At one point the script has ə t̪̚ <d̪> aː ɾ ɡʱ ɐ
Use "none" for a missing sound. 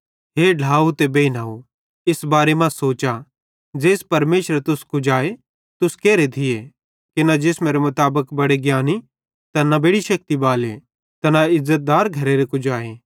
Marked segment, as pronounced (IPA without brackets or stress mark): d̪